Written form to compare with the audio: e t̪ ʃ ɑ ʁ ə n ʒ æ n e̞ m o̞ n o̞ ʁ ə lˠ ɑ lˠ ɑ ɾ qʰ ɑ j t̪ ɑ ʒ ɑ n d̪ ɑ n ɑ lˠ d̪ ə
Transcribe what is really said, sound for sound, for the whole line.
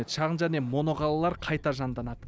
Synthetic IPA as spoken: e t̪ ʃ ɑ ʁ ə n ʒ æ n e̞ m o̞ n o̞ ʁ ɑ lˠ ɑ lˠ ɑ ɾ qʰ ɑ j t̪ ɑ ʒ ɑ n d̪ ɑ n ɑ d̪ ə